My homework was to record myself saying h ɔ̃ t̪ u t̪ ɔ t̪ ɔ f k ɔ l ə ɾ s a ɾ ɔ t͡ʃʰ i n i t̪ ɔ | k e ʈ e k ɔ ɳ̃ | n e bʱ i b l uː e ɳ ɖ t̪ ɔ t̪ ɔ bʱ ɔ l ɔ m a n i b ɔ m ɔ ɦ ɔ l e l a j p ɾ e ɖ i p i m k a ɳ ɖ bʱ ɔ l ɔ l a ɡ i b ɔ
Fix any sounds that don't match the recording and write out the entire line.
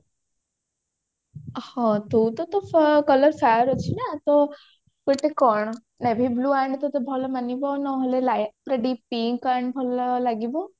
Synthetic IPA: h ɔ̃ t̪ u t̪ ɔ t̪ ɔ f k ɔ l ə ɾ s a ɾ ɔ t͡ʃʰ i n a t̪ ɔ | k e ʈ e k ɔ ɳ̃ | n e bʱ i b l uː a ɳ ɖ t̪ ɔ t̪ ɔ bʱ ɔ l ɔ m a n i b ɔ n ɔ ɦ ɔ l e l a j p ɾ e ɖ i p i ŋ k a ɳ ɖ bʱ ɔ l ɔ l a ɡ i b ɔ